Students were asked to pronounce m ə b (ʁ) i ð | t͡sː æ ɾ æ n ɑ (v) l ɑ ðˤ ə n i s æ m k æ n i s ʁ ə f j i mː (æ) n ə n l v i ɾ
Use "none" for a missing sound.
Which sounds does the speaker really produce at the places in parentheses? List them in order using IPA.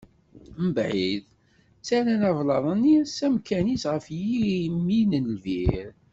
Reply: ʕ, v, i

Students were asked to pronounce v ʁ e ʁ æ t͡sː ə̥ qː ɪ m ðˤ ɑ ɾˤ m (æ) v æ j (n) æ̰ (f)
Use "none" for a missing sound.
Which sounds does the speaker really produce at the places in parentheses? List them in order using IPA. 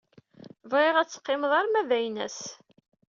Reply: æ, n, s

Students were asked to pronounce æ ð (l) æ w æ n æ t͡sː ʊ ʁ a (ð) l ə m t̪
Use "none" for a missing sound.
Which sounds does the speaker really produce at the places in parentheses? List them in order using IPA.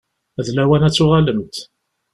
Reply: l, none

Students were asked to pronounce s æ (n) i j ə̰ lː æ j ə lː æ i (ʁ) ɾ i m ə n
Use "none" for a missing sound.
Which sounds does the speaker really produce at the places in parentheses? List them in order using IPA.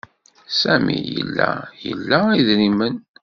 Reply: m, ð

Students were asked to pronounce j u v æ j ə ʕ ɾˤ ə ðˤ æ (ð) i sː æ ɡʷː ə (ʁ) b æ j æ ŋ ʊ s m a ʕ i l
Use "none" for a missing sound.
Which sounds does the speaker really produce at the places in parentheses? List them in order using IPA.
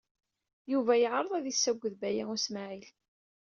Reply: ð, ð

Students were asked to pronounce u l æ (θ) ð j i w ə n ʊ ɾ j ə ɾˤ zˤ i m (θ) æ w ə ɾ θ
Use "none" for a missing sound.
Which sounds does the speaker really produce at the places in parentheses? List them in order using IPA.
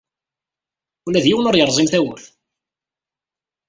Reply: none, θ

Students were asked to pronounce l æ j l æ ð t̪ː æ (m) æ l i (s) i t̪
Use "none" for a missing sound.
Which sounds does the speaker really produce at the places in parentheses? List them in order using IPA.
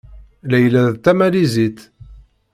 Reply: m, z

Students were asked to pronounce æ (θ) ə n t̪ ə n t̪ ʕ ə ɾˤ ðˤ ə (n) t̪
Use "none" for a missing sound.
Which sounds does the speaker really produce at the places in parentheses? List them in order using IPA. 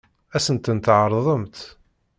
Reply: s, m

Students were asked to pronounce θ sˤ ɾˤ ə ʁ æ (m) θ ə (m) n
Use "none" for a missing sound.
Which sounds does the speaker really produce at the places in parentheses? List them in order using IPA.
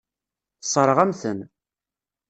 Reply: m, none

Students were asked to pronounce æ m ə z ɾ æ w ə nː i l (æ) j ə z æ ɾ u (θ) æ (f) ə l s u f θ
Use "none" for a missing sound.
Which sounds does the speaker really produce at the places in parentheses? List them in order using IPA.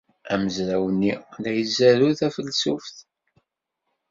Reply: æ, θ, f

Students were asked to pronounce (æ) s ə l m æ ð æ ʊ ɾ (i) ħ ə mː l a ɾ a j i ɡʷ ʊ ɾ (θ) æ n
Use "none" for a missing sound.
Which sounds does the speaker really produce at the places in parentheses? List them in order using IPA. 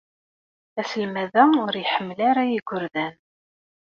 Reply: æ, j, ð

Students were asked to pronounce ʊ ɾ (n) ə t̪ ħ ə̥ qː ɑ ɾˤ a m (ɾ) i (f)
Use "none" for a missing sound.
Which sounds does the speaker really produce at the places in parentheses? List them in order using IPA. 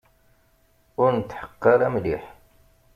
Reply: n, l, ħ

